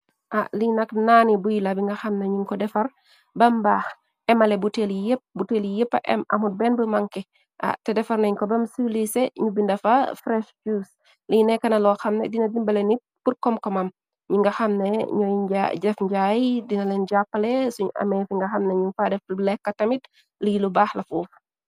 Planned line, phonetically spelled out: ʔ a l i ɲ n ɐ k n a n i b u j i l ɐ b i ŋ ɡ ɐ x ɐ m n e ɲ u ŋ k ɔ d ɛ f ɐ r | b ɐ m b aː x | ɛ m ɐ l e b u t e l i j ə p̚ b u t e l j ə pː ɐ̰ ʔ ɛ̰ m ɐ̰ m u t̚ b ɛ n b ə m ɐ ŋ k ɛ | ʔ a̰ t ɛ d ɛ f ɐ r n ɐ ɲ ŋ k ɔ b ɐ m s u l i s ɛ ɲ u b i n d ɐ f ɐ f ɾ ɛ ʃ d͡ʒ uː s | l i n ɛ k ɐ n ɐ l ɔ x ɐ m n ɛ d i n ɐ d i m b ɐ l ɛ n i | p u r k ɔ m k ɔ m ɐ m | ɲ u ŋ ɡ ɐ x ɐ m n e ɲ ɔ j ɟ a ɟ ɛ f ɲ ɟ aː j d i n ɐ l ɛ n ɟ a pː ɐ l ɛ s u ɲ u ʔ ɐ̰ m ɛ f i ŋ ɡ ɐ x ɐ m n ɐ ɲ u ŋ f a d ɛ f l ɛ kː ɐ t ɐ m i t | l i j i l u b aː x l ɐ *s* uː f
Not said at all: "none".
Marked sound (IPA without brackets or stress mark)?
f